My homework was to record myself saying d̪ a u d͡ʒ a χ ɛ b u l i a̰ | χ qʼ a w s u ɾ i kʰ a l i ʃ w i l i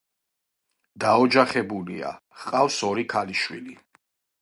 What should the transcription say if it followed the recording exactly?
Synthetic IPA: d̪ a ɔ d͡ʒ a χ ɛ b u l i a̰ | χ qʼ a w s ɔ ɾ i kʰ a l i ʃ w i l i

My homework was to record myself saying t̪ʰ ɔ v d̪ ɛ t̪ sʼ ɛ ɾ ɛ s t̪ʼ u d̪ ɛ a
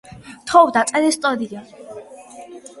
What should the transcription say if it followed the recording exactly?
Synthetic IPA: t̪ʰ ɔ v d̪ a t̪ sʼ ɛ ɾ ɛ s t̪ʼ ɔ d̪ i a

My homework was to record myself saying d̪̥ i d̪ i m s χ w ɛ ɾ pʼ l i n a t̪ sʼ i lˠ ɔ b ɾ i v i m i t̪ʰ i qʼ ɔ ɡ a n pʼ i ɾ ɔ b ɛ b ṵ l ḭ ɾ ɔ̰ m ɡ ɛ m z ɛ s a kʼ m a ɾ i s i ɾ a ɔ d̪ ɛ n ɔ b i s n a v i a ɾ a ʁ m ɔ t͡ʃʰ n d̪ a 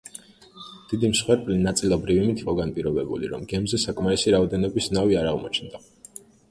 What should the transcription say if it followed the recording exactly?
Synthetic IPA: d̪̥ i d̪ i m s χ w ɛ ɾ pʼ l i n a t̪ sʼ i lˠ ɔ b ɾ i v i m i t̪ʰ i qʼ ɔ ɡ a n pʼ i ɾ ɔ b ɛ b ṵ l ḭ ɾ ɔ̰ m ɡ ɛ m z ɛ s a kʼ m a ɾ i s i ɾ a ɔ d̪ ɛ n ɔ b i s n a v i a ɾ a ʁ m ɔ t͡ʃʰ n d̪ a

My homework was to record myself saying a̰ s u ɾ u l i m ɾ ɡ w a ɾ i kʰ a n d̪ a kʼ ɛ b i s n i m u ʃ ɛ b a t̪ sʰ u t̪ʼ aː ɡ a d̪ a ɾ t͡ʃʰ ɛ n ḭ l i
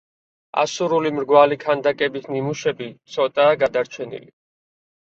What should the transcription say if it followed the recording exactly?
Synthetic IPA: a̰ s u ɾ u l i m ɾ ɡ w a l i kʰ a n d̪ a kʼ ɛ b i s n i m u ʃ ɛ b i t̪ sʰ ɔ t̪ʼ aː ɡ a d̪ a ɾ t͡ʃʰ ɛ n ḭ l i

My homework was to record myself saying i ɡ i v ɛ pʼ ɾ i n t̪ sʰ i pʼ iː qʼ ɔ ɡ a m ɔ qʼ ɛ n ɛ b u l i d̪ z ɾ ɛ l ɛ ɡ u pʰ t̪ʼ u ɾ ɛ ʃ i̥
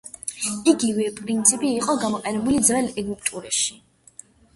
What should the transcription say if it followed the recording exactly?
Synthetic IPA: i ɡ i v ɛ pʼ ɾ i n t̪ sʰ i pʼ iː qʼ ɔ ɡ a m ɔ qʼ ɛ n ɛ b u l i d̪ z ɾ ɛ l ɛ ɡ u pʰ t̪ʼ u ɾ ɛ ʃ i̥

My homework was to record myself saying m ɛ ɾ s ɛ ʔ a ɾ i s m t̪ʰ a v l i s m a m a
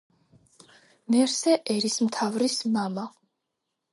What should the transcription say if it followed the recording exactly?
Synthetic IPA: m ɛ ɾ s ɛ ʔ ɛ ɾ i s m t̪ʰ a v ɾ i s m a m a

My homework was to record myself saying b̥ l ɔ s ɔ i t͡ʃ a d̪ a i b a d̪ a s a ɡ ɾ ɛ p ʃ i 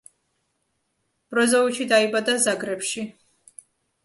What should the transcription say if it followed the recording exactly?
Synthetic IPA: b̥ ɾ ɔ z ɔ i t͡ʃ i d̪ a i b a d̪ a z a ɡ ɾ ɛ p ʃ i

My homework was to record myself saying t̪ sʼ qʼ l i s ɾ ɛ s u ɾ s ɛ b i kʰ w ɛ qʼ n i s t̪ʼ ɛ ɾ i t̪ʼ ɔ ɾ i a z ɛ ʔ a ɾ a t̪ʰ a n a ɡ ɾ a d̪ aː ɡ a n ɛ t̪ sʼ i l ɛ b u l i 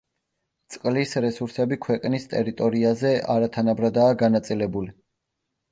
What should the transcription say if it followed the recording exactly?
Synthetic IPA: t̪ sʼ qʼ l i s ɾ ɛ s u ɾ s ɛ b i kʰ w ɛ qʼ n i s t̪ʼ ɛ ɾ i t̪ʼ ɔ ɾ i a z ɛ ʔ a ɾ a t̪ʰ a n a b ɾ a d̪ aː ɡ a n a t̪ sʼ i l ɛ b u l i

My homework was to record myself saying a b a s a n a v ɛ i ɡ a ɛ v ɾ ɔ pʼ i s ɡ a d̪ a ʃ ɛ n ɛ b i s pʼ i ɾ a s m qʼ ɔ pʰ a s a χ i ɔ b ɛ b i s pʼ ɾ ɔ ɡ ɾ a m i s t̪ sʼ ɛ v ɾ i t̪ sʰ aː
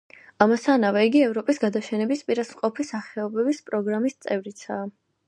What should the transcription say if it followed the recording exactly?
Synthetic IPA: a m a s a n a v ɛ i ɡ i ɛ v ɾ ɔ pʼ i s ɡ a d̪ a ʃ ɛ n ɛ b i s pʼ i ɾ a s m qʼ ɔ pʰ i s a χ ɛ ɔ b ɛ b i s pʼ ɾ ɔ ɡ ɾ a m i s t̪ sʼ ɛ v ɾ i t̪ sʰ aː

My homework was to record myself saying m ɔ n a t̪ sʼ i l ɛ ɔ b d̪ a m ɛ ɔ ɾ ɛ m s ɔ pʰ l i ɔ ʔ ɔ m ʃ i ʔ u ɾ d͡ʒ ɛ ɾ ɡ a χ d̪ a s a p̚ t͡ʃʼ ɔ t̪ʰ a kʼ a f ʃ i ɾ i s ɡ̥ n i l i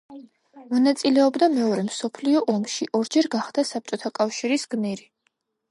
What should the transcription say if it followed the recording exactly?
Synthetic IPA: m ɔ n a t̪ sʼ i l ɛ ɔ b d̪ a m ɛ ɔ ɾ ɛ m s ɔ pʰ l i ɔ ʔ ɔ m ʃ i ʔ ɔ ɾ d͡ʒ ɛ ɾ ɡ a χ d̪ a s a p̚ t͡ʃʼ ɔ t̪ʰ a kʼ a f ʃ i ɾ i s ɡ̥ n i ɾ i

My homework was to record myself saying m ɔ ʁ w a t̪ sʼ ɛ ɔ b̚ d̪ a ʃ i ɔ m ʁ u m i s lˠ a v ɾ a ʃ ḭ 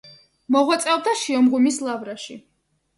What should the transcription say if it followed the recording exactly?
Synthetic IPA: m ɔ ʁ w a t̪ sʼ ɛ ɔ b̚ d̪ a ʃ i ɔ m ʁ u m i s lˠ a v ɾ a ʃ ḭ

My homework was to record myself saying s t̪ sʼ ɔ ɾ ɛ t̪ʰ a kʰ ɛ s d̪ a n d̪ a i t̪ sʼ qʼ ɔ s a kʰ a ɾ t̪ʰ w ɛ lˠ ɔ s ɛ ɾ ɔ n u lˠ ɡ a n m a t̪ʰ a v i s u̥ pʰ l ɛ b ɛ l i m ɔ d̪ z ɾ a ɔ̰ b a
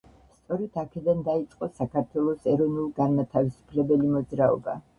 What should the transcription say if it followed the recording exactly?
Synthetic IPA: s t̪ sʼ ɔ ɾ ɛ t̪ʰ a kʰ ɛ d̪ a n d̪ a i t̪ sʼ qʼ ɔ s a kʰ a ɾ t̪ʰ w ɛ lˠ ɔ s ɛ ɾ ɔ n u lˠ ɡ a n m a t̪ʰ a v i s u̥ pʰ l ɛ b ɛ l i m ɔ d̪ z ɾ a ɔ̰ b a

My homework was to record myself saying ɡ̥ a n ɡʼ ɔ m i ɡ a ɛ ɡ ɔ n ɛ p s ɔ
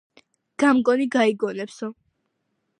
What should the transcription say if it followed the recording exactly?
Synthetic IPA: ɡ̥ a m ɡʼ ɔ n i ɡ a i ɡ ɔ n ɛ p s ɔ

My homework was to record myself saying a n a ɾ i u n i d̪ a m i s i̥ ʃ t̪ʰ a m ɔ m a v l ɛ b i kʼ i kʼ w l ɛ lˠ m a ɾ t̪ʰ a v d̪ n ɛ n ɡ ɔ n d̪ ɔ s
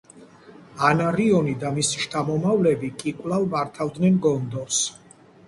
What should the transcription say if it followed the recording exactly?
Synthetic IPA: a n a ɾ i ɔ n i d̪ a m i s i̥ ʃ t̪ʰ a m ɔ m a v l ɛ b i kʼ i kʼ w l a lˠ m a ɾ t̪ʰ a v d̪ n ɛ n ɡ ɔ n d̪ ɔ s

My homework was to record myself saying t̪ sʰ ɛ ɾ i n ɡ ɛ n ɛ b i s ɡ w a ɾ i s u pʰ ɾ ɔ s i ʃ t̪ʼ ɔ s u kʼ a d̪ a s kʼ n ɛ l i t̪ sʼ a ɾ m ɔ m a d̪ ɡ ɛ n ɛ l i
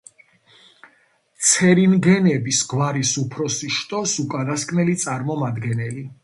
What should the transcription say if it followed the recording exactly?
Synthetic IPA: t̪ sʰ ɛ ɾ i n ɡ ɛ n ɛ b i s ɡ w a ɾ i s u pʰ ɾ ɔ s i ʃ t̪ʼ ɔ s u kʼ a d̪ a s kʼ n ɛ l i t̪ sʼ a ɾ m ɔ m a d̪ ɡ ɛ n ɛ l i

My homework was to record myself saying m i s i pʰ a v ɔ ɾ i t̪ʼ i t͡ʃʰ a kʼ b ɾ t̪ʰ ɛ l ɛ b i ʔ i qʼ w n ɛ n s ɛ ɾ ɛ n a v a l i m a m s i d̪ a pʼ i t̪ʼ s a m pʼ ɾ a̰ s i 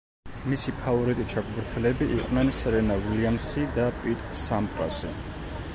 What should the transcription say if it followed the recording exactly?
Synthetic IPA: m i s i pʰ a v ɔ ɾ i t̪ʼ i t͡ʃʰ a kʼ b ɾ t̪ʰ ɛ l ɛ b i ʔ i qʼ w n ɛ n s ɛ ɾ ɛ n a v i l i a m s i d̪ a pʼ i t̪ʼ s a m pʼ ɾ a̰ s i

